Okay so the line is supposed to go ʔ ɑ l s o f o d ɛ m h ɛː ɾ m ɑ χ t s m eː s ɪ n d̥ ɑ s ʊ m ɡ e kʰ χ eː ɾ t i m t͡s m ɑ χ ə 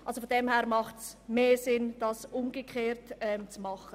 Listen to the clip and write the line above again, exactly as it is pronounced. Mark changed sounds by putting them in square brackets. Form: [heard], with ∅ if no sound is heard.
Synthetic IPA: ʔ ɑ l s o f o d ɛ m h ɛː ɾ m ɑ χ t s m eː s ɪ n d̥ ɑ s ʊ m ɡ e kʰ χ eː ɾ t [ɛ] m t͡s m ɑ χ ə